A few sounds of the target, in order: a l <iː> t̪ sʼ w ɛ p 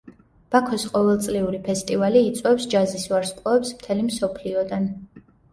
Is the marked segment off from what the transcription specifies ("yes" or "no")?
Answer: no